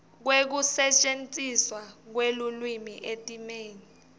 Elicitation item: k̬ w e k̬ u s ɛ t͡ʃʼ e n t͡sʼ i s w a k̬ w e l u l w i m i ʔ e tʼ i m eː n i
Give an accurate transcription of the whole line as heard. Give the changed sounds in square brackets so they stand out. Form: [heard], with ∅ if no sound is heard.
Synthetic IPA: k̬ w e k̬ u s ɛ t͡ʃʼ e n t͡sʼ i s w a k̬ w e l u l w i m i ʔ e tʼ i m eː n i